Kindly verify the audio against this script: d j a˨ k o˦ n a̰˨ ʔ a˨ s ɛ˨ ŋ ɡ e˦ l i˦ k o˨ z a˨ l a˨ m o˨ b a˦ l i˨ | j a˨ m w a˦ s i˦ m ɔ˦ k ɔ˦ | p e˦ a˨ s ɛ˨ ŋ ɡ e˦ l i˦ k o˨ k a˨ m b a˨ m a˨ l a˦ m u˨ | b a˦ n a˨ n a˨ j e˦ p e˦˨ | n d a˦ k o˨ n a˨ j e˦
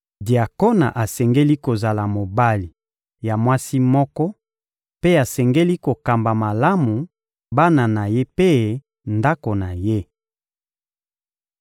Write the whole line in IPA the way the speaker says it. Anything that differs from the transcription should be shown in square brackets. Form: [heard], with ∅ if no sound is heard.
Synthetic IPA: d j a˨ k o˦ n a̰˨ ʔ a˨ s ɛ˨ ŋ ɡ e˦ l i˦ k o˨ z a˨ l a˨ m o˨ b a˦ l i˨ | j a˨ m w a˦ s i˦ m ɔ˦ k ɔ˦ | p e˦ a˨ s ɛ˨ ŋ ɡ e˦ l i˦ k o˨ k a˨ m b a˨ m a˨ l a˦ m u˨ | b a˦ n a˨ n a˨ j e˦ p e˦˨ | n d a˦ k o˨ n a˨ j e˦